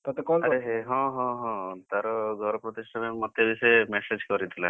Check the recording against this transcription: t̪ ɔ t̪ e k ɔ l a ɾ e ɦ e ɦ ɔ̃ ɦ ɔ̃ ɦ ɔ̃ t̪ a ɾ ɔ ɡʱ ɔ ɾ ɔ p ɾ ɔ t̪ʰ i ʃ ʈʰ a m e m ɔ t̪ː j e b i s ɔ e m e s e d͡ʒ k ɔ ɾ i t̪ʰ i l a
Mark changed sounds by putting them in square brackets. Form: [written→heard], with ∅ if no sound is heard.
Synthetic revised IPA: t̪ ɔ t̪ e k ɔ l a ɾ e ɦ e ɦ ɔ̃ ɦ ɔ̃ ɦ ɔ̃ t̪ a ɾ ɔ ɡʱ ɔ ɾ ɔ p ɾ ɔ [t̪ʰ→t̪] i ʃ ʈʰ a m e m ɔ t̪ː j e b i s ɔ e m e s e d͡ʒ k ɔ ɾ i t̪ʰ i l a

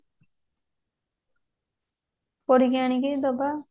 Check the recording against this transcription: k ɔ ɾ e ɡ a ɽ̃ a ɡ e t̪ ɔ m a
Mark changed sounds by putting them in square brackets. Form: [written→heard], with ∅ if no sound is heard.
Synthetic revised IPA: [k→p] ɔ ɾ [e→i] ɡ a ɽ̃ [a→i] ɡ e [t̪→d̪] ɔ [m→b] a

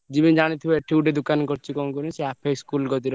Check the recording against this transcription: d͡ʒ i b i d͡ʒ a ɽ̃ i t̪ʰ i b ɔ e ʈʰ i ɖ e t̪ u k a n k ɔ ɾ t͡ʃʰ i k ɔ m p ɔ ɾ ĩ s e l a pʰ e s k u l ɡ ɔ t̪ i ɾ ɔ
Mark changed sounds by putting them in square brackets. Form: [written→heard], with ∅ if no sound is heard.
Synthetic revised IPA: d͡ʒ i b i d͡ʒ a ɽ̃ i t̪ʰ i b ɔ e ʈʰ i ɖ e [t̪→d̪] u k a n k ɔ ɾ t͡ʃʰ i k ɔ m [p→k] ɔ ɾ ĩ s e [l→∅] a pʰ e s k u l ɡ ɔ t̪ i ɾ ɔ

